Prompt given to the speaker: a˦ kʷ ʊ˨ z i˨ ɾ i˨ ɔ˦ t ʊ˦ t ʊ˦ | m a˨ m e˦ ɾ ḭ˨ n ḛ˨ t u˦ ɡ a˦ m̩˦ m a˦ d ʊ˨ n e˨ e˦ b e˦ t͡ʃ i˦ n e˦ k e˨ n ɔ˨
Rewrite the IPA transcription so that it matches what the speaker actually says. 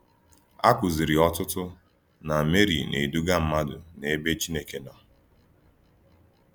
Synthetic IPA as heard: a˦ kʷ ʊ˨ z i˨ ɾ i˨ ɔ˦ t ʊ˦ t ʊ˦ | n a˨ m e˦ ɾ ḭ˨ n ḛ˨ d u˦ ɡ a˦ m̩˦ m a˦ d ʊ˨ n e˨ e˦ b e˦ t͡ʃ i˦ n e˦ k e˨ n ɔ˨

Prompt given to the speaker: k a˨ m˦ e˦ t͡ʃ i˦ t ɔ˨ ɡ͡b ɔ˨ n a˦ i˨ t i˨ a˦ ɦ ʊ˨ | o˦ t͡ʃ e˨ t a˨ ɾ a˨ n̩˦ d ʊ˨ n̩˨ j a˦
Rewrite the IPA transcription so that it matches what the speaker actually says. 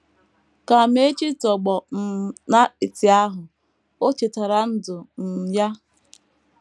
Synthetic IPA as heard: k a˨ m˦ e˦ t͡ʃ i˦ t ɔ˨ ɡ͡b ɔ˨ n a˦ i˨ t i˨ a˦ ɦ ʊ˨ | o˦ t͡ʃ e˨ t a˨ ɾ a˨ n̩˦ d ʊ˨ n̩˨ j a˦

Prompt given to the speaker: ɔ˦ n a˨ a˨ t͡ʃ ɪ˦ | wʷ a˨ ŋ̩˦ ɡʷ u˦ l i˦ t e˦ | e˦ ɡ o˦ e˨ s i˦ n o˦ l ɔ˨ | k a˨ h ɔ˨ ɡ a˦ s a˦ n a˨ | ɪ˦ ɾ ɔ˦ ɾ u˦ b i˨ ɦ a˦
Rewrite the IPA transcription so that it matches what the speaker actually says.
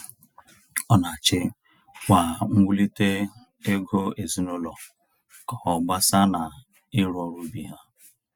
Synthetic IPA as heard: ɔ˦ n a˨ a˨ t͡ʃ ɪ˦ | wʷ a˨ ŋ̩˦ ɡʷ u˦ l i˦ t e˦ | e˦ ɡ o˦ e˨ z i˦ n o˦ l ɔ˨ | k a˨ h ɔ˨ ɡ͡b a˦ s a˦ n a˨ | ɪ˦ ɾ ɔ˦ ɾ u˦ b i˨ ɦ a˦

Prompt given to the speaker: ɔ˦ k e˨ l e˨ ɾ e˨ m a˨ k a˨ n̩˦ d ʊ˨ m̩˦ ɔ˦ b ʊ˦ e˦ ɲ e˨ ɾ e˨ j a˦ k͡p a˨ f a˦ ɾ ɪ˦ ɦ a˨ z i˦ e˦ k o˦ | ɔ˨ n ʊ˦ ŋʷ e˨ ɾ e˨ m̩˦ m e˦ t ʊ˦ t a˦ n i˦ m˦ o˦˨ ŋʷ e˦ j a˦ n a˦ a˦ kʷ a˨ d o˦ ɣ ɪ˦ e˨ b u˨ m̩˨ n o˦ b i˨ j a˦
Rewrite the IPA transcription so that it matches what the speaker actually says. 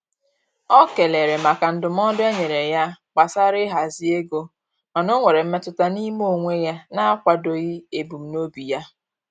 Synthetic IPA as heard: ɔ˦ k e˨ l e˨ ɾ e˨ m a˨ k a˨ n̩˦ d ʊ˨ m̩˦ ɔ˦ d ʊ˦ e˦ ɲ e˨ ɾ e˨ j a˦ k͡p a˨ s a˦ ɾ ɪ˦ ɦ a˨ z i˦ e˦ ɡ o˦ | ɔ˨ n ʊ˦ ŋʷ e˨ ɾ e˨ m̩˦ m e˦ t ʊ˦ t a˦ n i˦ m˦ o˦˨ ŋʷ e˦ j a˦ n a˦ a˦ kʷ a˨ d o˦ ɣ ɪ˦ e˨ b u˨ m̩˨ n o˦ b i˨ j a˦

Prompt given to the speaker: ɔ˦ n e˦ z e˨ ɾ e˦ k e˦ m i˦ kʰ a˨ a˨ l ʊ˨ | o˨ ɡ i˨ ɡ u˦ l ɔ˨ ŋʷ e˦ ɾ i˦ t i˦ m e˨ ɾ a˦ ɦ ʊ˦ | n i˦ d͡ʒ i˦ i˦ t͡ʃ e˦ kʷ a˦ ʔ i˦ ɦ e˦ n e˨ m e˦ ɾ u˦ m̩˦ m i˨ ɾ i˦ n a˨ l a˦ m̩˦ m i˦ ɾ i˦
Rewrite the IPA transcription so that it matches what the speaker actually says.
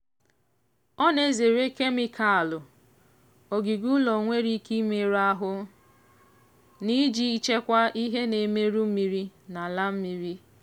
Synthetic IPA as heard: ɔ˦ n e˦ z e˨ ɾ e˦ k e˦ m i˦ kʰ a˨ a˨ l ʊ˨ | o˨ ɡ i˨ ɡ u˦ l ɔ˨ ŋʷ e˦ ɾ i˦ k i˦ m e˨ ɾ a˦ ɦ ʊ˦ | n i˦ d͡ʒ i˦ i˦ t͡ʃ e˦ kʷ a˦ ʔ i˦ ɦ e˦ n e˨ m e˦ ɾ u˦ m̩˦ m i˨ ɾ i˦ n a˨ l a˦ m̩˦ m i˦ ɾ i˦

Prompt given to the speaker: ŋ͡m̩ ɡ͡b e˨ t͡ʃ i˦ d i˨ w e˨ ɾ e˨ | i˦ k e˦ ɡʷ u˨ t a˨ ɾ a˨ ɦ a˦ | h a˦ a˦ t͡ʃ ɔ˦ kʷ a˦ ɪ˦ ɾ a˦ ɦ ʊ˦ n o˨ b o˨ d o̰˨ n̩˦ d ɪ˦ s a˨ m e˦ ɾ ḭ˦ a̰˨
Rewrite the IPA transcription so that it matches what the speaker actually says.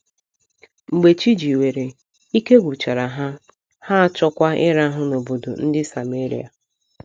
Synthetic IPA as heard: ŋ͡m̩ ɡ͡b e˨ t͡ʃ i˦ d͡ʒ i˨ w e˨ ɾ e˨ | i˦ k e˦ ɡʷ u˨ t͡ʃ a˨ ɾ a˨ ɦ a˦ | h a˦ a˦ t͡ʃ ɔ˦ kʷ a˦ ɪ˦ ɾ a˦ ɦ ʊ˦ n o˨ b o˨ d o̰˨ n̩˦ d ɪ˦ s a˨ m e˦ ɾ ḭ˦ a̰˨

